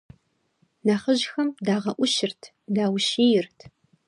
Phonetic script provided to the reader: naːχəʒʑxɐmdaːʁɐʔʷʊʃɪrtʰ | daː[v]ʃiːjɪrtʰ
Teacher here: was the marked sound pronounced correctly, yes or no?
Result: no